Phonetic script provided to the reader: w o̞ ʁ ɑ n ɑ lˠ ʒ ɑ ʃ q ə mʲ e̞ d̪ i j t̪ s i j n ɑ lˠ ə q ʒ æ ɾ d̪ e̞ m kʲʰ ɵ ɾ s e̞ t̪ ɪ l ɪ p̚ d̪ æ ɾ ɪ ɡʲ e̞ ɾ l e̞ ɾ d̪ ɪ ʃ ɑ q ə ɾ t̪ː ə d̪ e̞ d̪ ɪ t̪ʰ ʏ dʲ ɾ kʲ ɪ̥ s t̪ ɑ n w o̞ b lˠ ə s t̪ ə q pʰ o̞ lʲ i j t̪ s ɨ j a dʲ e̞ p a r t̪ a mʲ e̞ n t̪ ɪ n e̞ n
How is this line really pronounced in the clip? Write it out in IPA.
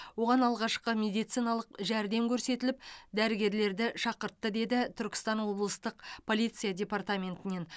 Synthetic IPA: w o̞ ʁ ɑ n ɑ lˠ ʁ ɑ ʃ q ə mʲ e̞ d̪ i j t̪ s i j n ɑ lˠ ə q ʒ æ ɾ d̪ e̞ m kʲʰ ɵ ɾ s e̞ t̪ ɪ l ɪ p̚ d̪ æ ɾ ɪ ɡʲ e̞ ɾ l e̞ ɾ d̪ ɪ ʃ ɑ q ə ɾ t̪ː ə d̪ e̞ d̪ ɪ t̪ʰ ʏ ɾ kʲ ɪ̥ s t̪ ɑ n w o̞ b lˠ ə s t̪ ə q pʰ o̞ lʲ i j t̪ s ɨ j a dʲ e̞ p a r t̪ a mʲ e̞ n t̪ ɪ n e̞ n